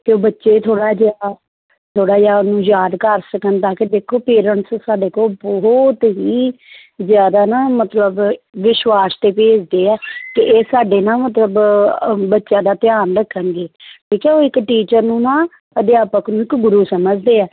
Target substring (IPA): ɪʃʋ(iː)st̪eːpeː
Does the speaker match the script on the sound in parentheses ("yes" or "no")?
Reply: no